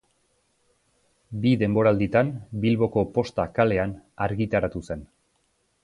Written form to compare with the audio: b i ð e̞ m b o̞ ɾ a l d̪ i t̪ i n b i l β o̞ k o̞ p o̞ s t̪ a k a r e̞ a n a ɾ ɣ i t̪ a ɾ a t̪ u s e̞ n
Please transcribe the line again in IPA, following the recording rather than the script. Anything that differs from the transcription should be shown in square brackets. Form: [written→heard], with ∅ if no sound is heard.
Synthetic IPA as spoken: b i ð e̞ m b o̞ ɾ a l d̪ i t̪ [i→a] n b i l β o̞ k o̞ p o̞ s t̪ a k a [r→l] e̞ a n a ɾ ɣ i t̪ a ɾ a t̪ u s e̞ n